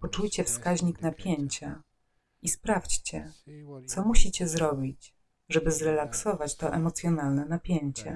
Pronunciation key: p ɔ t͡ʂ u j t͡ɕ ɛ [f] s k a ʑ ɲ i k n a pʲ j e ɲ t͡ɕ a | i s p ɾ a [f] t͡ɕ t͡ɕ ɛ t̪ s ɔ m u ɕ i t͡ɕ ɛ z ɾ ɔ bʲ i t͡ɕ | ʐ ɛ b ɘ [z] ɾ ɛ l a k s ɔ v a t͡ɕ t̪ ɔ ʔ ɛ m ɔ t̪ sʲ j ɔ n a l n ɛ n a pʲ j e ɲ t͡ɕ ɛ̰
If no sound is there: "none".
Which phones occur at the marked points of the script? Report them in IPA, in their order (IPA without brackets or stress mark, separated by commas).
f, f, z